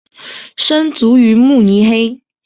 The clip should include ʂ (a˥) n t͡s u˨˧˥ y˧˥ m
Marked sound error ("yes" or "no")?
yes